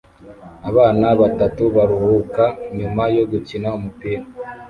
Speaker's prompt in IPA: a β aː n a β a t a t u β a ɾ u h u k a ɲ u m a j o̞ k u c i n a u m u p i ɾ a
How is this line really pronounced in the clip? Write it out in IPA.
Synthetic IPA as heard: a β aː n a β a t a t u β a ɾ u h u k a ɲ u m a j o̞ ɡ u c i n a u m u p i ɾ a